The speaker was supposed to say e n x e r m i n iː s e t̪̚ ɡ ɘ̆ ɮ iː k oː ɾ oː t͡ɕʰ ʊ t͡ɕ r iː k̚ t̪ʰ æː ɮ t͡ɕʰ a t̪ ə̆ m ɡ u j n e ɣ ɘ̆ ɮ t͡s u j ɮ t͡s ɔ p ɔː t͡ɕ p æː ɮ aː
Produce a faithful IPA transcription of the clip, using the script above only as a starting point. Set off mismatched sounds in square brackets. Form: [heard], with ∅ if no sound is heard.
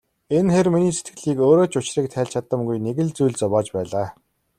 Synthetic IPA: e n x e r m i n iː s e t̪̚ ɡ ɘ̆ ɮ iː k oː ɾ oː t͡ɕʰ ʊ t͡ɕ r iː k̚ t̪ʰ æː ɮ t͡ɕʰ a t̪ ə̆ m ɡ u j n e ɣ ɘ̆ ɮ t͡s u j ɮ t͡s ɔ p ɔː t͡ɕ p æː ɮ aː